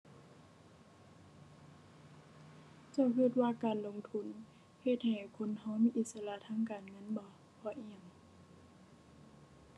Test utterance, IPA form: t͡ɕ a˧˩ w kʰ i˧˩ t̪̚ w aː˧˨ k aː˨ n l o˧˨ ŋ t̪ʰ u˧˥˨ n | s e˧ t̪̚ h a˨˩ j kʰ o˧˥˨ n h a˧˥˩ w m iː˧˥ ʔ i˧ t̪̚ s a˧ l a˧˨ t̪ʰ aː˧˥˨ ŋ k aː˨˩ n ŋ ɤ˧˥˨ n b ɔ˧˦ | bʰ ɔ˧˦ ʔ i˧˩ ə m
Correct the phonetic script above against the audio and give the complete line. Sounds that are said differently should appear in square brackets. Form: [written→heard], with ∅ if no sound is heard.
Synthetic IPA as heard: t͡ɕ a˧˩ w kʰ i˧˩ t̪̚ w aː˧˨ k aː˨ n l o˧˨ ŋ t̪ʰ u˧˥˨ n | [s→h] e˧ t̪̚ h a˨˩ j kʰ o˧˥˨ n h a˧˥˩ w m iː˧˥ ʔ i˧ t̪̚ s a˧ l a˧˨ t̪ʰ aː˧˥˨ ŋ k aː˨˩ n ŋ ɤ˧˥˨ n b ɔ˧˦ | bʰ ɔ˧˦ ʔ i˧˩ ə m